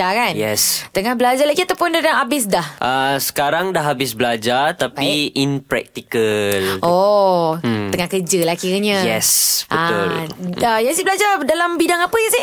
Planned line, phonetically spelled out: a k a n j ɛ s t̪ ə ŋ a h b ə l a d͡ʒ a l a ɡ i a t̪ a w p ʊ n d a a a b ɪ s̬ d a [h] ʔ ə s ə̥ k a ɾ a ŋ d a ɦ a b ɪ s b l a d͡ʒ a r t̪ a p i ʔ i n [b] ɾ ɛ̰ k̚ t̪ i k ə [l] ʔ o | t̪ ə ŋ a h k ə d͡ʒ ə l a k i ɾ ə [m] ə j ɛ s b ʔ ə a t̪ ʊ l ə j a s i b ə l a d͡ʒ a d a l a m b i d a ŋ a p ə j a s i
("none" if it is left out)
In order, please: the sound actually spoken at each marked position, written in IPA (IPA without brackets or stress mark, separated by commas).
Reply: h, p, l, ɲ